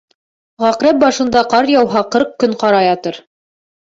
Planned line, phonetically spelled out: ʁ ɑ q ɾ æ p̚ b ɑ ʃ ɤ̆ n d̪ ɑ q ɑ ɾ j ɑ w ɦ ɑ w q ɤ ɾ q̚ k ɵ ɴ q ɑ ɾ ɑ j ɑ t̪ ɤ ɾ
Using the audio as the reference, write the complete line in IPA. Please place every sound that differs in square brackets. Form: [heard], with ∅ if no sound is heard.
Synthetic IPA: ʁ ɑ q ɾ æ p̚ b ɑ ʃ ɤ̆ n d̪ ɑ q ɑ ɾ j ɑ w ɦ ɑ [∅] q ɤ ɾ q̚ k ɵ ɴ q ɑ ɾ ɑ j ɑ t̪ ɤ ɾ